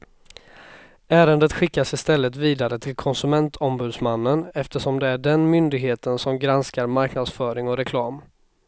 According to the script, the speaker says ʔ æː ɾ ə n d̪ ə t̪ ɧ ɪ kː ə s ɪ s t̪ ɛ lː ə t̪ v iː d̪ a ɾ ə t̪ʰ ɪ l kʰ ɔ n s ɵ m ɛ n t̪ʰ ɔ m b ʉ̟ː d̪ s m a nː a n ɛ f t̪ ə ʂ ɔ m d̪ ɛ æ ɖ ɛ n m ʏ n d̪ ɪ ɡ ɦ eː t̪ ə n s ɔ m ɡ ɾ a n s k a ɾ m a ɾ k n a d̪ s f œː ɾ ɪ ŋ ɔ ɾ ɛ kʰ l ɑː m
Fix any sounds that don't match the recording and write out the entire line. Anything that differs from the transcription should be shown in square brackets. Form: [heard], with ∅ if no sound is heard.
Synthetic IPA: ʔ æː ɾ ə n d̪ ə t̪ ɧ ɪ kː [a] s ɪ s t̪ ɛ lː ə t̪ v iː d̪ a ɾ ə t̪ʰ ɪ l kʰ ɔ n s ɵ m ɛ n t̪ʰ ɔ m b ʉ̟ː d̪ s m a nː [ə] n ɛ f t̪ ə ʂ ɔ m d̪ ɛ æ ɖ ɛ n m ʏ n d̪ ɪ ɡ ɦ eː t̪ ə n s ɔ m ɡ ɾ a n s k a ɾ m a ɾ k n a d̪ s f œː ɾ ɪ ŋ ɔ ɾ ɛ kʰ l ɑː m